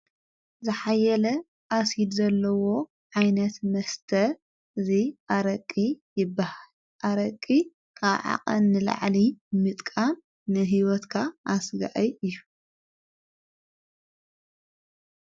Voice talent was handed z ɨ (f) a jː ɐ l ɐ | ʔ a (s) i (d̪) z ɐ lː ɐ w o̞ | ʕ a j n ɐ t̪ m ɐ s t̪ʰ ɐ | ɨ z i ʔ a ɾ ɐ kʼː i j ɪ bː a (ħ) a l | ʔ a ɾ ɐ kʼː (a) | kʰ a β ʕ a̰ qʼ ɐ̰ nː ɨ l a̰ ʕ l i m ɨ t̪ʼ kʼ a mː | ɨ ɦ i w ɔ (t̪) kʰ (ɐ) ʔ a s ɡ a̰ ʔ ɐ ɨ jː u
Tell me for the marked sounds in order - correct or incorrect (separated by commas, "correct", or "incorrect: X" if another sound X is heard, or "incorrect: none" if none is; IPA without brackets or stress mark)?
incorrect: ħ, correct, correct, incorrect: h, incorrect: i, correct, incorrect: a